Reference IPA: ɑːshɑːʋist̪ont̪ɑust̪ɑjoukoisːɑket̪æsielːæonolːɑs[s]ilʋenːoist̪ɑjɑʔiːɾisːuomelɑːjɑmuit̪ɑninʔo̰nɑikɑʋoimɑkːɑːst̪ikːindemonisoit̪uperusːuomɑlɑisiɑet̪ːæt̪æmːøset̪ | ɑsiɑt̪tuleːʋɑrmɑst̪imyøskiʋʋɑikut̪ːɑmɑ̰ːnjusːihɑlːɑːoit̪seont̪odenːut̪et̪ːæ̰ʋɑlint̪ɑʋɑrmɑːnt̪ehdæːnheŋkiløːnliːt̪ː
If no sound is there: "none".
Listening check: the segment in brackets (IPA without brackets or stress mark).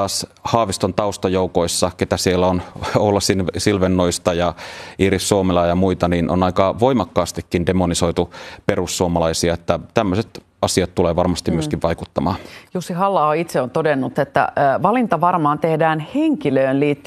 s